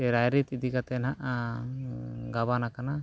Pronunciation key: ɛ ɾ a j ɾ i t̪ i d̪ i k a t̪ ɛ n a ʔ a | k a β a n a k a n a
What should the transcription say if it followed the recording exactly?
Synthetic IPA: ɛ ɾ a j ɾ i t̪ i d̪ i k a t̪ ɛ n a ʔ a | ɡ a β a n a k a n a

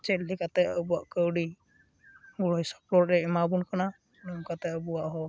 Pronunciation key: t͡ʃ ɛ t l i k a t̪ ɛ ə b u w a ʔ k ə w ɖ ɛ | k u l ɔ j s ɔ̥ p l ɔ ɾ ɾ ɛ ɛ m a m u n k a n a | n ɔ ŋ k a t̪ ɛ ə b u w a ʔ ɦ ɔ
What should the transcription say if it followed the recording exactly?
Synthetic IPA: t͡ʃ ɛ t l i k a t̪ ɛ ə b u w a ʔ k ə w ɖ i | ɡ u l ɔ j s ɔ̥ p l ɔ ɾ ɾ ɛ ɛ m a b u n k a n a | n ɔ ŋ k a t̪ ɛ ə b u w a ʔ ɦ ɔ

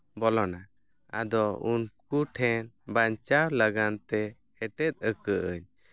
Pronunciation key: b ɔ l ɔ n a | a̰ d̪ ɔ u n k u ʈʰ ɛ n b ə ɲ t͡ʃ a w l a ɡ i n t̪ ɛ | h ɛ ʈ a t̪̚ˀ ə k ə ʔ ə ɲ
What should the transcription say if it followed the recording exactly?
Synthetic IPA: b ɔ l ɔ n a | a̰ d̪ ɔ u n k u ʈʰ ɛ n b a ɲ t͡ʃ a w l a ɡ a n t̪ ɛ | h ɛ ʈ ɛ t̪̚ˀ ə k ə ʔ ə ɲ

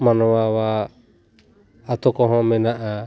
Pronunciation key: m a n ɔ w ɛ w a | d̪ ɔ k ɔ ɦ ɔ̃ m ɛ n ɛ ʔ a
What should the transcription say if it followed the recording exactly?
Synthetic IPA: m a n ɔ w a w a | t̪ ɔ k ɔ ɦ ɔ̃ m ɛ n a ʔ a

